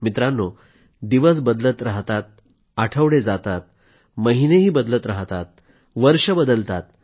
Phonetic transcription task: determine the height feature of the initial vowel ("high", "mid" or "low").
high